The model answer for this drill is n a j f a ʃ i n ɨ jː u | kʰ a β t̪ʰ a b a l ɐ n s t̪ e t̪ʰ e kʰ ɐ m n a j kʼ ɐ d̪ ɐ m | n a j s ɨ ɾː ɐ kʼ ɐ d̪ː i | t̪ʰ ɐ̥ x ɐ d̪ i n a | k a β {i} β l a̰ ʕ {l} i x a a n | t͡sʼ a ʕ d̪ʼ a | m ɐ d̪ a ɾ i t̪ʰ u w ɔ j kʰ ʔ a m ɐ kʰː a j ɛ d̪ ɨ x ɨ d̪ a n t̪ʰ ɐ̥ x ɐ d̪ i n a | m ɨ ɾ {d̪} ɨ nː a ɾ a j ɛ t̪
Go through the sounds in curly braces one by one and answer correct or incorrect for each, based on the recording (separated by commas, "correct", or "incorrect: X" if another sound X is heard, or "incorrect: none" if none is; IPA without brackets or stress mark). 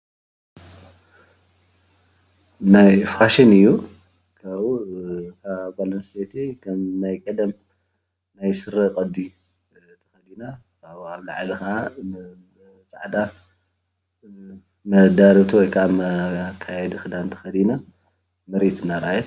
incorrect: a, correct, incorrect: t̪